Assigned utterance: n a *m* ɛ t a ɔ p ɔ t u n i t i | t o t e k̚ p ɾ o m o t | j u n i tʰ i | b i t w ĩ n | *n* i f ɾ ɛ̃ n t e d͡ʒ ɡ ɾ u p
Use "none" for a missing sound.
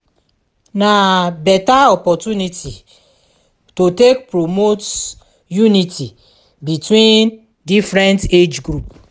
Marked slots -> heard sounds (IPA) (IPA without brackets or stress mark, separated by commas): b, d